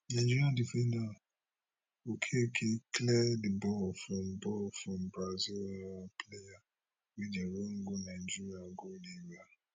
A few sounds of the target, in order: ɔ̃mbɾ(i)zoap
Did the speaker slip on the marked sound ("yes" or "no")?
yes